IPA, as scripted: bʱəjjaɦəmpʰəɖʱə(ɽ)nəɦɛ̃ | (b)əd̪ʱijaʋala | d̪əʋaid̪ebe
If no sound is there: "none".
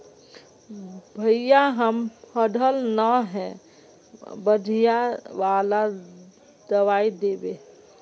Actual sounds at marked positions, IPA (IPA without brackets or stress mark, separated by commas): l, b